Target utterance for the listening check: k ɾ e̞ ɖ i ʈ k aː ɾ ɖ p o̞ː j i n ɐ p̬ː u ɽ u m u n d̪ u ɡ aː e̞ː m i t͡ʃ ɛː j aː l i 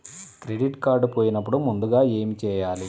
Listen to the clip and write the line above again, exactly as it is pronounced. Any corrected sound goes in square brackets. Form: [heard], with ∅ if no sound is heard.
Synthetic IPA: k ɾ e̞ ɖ i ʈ k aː ɾ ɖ p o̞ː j i n ɐ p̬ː u ɽ u m u n d̪ u ɡ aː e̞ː m i t͡ʃ ɛː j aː l i